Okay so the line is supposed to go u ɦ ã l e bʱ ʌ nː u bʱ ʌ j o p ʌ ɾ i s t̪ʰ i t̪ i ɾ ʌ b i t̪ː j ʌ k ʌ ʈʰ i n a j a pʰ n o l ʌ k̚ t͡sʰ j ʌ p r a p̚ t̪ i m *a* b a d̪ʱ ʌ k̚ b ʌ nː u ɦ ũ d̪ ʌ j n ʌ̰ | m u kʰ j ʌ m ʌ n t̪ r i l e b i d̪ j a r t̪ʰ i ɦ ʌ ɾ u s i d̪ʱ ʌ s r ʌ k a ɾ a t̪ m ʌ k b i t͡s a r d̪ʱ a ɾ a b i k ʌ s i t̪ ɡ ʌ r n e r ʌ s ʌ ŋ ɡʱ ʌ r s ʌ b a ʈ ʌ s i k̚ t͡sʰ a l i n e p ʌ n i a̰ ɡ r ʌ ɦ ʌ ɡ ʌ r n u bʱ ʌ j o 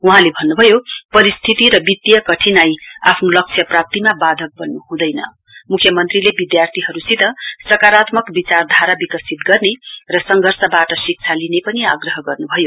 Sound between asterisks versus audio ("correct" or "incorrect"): correct